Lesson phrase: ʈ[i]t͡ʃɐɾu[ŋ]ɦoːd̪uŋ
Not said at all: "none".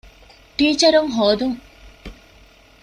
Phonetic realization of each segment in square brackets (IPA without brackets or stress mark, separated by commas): iː, ŋ